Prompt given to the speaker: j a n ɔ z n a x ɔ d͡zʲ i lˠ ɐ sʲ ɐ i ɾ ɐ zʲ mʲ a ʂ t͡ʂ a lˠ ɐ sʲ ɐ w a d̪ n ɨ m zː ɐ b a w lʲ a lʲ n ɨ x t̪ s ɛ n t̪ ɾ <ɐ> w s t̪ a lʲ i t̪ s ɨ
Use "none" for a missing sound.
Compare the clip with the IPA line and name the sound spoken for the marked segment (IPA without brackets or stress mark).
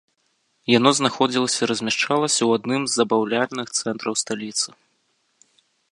ɐ